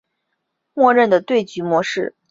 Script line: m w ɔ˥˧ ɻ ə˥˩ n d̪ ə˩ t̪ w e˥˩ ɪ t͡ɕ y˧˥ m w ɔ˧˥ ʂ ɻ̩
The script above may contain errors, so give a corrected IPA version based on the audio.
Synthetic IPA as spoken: m w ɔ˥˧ ɻ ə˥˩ n d̪ ə˩ t̪ w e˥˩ ɪ t͡ɕ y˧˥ m w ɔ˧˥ ʂ ɻ̩

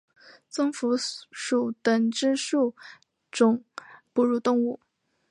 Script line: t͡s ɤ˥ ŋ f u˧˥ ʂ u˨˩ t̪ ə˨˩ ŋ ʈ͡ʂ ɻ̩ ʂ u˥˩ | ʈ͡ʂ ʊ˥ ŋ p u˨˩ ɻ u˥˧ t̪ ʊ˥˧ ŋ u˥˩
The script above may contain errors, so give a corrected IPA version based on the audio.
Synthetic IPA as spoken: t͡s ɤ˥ ŋ f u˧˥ ʂ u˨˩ t̪ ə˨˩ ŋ ʈ͡ʂ ɻ̩ ʂ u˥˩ | ʈ͡ʂ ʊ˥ ŋ p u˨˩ ɻ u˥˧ t̪ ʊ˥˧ ŋ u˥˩

